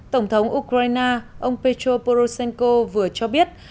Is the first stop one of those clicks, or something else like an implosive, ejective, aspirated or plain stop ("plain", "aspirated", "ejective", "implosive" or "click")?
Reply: plain